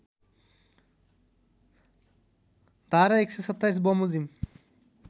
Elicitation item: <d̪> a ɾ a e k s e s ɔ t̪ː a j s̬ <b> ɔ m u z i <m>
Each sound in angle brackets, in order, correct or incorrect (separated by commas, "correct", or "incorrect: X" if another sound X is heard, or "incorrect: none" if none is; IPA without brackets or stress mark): correct, correct, correct